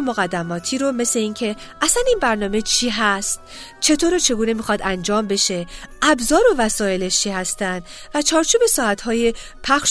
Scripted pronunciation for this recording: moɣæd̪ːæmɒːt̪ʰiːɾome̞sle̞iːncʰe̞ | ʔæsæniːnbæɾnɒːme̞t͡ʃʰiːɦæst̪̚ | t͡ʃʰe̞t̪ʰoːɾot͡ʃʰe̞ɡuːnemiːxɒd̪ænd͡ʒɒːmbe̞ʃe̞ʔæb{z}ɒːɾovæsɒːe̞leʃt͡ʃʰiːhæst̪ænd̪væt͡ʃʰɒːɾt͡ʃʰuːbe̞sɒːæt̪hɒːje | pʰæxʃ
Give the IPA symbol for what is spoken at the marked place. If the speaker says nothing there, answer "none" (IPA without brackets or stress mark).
z